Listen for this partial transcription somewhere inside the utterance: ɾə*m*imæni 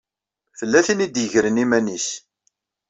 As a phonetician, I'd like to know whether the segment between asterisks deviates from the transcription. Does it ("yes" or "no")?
yes